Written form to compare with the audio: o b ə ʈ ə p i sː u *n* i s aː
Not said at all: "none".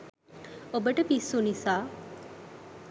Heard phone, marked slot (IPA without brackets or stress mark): n